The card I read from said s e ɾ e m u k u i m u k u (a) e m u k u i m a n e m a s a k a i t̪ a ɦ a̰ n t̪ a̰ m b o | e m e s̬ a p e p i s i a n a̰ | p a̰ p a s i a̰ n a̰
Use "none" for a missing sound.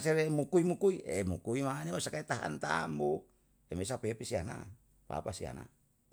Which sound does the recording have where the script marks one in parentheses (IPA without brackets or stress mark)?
i